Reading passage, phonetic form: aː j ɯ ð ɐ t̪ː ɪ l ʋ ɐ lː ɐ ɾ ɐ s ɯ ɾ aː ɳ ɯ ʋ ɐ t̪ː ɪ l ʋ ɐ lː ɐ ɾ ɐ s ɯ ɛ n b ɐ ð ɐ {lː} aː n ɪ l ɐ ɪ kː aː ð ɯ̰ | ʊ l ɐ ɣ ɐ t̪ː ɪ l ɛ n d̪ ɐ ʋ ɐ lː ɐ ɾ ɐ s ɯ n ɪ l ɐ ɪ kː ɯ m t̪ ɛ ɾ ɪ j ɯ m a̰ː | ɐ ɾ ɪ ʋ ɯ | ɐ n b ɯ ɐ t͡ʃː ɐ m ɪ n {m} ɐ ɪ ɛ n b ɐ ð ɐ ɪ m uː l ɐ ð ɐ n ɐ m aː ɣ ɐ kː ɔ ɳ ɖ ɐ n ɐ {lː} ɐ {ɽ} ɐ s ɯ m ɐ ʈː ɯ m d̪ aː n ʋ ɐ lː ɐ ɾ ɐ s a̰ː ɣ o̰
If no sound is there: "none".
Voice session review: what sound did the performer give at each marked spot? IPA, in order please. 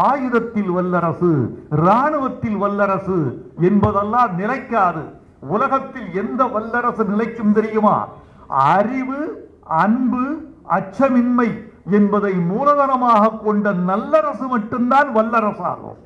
lː, m, lː, ɾ

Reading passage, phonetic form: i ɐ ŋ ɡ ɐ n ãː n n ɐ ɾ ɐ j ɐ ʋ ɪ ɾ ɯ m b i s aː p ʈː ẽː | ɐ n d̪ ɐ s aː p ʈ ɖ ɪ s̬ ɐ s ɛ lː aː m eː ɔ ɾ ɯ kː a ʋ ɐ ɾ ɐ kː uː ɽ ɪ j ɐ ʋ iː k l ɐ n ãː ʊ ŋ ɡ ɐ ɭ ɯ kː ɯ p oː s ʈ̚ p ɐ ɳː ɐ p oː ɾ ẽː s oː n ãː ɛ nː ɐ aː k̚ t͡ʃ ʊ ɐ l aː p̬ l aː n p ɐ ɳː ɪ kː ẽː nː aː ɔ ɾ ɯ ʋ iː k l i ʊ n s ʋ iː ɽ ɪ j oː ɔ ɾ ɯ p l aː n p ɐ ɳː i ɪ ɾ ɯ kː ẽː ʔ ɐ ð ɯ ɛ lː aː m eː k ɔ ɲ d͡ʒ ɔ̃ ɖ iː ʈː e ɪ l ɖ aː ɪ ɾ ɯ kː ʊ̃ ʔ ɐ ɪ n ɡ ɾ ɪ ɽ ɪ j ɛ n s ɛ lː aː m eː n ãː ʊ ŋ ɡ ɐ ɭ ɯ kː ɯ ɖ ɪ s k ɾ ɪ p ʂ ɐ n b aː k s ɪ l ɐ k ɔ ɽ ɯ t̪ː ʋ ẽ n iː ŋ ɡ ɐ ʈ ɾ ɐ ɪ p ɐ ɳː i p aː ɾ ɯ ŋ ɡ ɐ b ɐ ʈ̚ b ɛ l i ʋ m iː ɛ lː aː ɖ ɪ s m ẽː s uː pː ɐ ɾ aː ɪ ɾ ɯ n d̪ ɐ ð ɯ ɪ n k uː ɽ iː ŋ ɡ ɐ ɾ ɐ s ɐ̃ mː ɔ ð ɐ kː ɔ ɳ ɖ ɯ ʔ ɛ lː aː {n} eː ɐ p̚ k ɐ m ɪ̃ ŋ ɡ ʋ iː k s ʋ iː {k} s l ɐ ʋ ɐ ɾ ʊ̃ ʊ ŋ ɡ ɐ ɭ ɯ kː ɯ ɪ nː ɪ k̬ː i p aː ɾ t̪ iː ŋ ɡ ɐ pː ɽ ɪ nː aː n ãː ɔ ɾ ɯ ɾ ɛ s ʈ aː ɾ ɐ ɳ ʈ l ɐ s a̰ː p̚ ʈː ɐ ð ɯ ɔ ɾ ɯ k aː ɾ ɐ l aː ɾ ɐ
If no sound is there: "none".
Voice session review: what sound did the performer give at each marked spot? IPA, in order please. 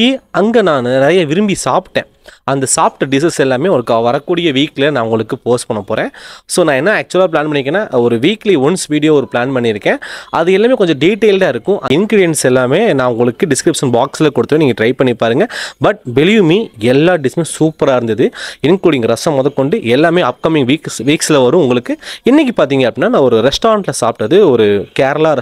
m, k

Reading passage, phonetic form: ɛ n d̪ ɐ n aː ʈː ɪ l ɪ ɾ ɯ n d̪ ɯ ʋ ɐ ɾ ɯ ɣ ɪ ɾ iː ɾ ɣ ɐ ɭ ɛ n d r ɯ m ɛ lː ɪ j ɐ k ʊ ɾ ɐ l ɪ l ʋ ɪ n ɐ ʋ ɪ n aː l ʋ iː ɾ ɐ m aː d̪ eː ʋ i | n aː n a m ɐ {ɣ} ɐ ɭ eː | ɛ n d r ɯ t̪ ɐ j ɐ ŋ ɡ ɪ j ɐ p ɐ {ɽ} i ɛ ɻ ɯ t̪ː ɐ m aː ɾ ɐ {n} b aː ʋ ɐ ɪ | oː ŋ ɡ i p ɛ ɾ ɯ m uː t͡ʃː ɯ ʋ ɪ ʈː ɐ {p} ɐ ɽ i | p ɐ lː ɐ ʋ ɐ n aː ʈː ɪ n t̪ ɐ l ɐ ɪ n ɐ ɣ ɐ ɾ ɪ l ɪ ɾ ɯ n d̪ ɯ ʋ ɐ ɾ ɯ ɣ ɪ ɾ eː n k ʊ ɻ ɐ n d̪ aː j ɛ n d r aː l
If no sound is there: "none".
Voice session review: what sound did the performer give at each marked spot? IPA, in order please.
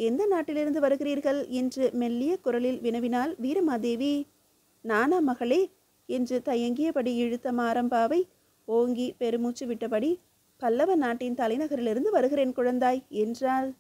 ɣ, ɽ, m, p

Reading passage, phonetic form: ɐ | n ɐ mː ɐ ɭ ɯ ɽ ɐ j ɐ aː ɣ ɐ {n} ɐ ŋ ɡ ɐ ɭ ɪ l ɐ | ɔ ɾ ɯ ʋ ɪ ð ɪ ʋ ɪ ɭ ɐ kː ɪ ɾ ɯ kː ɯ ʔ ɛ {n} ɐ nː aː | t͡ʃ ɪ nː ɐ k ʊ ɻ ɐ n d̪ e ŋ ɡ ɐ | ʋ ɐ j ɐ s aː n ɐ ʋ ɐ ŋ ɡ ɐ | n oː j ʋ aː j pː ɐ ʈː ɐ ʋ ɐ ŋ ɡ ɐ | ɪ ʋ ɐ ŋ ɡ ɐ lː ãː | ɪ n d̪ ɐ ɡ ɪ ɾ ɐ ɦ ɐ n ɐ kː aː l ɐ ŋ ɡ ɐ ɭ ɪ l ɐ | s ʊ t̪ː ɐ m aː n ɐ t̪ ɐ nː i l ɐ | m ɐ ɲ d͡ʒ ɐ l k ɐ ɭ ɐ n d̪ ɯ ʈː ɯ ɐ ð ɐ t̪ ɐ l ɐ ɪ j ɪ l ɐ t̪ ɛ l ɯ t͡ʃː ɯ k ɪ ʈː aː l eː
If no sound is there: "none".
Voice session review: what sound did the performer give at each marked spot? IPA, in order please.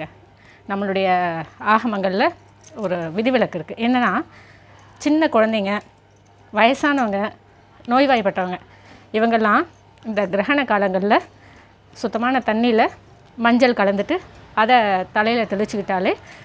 m, nː

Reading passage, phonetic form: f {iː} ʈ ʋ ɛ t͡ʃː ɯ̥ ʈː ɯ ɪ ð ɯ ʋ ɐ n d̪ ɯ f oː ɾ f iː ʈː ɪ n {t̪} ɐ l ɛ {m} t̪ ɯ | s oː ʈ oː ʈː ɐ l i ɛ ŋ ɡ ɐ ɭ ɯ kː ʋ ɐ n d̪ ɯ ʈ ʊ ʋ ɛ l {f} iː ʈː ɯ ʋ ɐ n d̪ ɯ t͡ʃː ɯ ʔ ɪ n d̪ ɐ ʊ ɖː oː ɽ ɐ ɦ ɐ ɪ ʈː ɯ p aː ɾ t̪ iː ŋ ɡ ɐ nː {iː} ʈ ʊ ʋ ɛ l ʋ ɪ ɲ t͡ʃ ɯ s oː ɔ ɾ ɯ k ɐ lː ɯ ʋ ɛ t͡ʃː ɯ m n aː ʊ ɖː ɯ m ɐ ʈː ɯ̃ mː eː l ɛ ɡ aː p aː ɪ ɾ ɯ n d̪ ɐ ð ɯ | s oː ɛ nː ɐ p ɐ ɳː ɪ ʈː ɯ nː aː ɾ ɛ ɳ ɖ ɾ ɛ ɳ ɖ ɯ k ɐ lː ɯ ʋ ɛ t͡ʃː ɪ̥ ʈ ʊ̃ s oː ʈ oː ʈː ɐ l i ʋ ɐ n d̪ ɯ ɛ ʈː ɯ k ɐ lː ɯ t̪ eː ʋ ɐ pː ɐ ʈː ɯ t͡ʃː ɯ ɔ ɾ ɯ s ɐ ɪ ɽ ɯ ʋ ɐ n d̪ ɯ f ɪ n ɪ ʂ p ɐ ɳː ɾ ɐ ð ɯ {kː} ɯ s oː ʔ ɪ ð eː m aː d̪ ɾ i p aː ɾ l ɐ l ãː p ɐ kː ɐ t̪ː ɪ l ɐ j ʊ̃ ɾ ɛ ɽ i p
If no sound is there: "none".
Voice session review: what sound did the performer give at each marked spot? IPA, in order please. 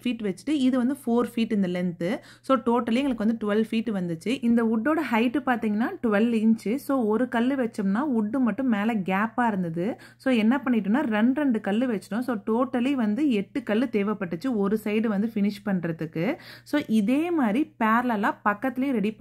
iː, d̪, n, f, aː, kː

